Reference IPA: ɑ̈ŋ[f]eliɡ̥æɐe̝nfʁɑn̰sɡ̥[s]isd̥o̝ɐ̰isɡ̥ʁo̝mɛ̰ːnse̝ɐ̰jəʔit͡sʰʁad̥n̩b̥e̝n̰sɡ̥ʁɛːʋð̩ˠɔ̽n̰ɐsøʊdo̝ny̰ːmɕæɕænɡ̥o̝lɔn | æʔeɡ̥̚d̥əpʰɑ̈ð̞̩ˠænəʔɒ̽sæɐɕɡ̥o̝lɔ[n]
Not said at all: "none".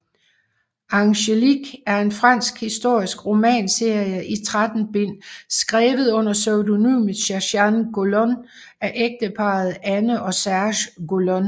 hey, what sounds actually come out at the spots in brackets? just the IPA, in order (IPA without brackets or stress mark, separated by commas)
ɕ, h, n